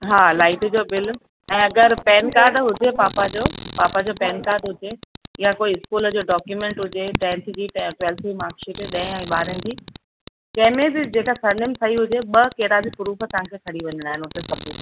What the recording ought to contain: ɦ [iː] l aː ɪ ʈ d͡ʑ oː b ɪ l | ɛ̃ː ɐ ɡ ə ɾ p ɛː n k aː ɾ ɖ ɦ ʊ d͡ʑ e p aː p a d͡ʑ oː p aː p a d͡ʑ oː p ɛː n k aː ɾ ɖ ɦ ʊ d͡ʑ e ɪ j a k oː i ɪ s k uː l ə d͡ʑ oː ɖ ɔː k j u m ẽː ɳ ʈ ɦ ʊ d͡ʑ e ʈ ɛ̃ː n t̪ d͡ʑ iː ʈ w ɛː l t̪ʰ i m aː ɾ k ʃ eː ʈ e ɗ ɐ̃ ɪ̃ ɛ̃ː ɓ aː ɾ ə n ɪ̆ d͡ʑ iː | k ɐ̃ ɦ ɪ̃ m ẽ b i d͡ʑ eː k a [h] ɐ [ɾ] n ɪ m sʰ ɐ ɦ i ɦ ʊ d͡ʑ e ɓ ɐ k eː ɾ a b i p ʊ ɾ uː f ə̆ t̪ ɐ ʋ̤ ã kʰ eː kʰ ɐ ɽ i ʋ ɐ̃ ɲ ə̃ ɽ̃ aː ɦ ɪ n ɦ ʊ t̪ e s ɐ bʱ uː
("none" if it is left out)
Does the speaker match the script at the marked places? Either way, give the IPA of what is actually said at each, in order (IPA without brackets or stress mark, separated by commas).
aː, s, ɾ